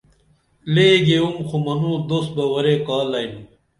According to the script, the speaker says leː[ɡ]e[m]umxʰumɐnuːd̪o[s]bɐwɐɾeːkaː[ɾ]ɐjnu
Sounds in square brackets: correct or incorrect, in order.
correct, incorrect: none, correct, incorrect: l

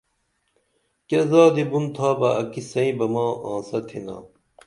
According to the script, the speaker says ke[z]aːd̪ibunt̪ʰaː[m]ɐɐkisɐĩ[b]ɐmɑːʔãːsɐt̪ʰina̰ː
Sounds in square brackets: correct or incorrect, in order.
correct, incorrect: b, correct

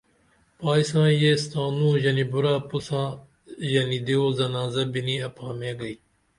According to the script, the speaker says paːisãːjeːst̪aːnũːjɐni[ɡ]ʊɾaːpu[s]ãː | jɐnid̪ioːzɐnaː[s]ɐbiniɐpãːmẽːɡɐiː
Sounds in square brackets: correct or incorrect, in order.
incorrect: b, correct, incorrect: z

